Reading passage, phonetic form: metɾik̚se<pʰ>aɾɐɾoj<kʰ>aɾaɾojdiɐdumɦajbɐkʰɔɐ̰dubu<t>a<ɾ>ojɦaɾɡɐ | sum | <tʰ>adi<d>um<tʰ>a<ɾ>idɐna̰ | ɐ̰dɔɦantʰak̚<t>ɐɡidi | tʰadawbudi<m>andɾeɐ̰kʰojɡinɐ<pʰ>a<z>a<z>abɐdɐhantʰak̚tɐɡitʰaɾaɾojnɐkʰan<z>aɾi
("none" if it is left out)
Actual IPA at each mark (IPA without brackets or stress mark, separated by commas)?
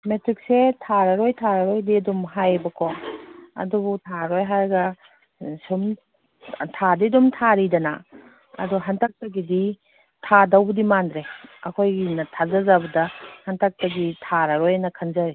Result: tʰ, tʰ, tʰ, ɾ, tʰ, d, tʰ, ɾ, t, m, tʰ, z, z, z